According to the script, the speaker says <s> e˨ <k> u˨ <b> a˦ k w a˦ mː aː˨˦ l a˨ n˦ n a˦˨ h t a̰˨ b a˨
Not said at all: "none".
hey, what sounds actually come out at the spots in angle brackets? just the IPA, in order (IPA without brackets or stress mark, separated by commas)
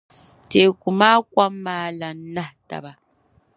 t, k, m